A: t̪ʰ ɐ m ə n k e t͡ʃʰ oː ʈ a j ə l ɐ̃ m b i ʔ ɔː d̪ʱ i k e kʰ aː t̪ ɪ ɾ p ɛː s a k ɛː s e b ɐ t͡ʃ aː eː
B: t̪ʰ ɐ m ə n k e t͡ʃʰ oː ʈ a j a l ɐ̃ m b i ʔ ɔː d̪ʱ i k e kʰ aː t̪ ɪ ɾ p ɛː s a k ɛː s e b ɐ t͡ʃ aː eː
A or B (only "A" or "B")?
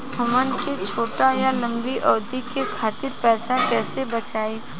B